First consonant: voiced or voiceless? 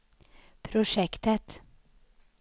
voiceless